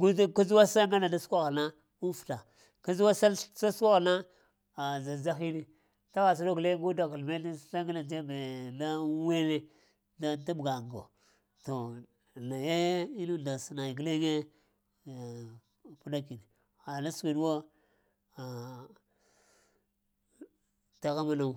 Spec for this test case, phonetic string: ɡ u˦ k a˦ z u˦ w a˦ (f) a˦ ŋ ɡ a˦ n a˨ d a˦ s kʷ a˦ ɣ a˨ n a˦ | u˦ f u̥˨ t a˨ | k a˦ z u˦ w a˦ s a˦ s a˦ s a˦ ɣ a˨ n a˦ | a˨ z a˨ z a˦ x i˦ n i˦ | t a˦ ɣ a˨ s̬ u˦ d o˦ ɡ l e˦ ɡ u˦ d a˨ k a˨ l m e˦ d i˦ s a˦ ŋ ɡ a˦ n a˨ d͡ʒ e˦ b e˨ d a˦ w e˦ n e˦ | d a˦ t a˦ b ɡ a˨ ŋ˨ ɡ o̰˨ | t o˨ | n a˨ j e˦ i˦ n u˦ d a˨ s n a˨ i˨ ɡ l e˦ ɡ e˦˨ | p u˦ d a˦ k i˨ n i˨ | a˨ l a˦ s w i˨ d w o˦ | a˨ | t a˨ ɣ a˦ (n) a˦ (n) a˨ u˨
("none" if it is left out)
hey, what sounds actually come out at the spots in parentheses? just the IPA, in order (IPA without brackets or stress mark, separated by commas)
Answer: s, m, n